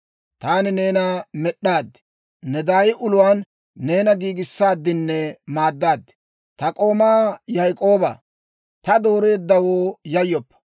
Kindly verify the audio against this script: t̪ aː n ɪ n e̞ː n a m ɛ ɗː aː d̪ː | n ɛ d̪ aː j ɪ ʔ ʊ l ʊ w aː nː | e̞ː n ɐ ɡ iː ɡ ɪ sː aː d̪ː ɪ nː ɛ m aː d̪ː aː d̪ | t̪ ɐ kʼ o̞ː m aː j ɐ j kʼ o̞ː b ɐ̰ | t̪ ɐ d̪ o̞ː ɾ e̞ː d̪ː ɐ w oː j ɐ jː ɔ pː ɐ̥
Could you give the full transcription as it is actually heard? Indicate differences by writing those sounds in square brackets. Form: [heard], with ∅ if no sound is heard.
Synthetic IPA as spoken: t̪ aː n ɪ n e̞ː n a m ɛ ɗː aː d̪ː | n ɛ d̪ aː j ɪ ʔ ʊ l ʊ w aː nː | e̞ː n ɐ ɡ iː ɡ ɪ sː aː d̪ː ɪ nː ɛ m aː d̪ː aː d̪ | t̪ ɐ kʼ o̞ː m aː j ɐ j kʼ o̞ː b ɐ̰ | t̪ ɐ d̪ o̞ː ɾ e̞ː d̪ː ɐ w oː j ɐ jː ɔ pː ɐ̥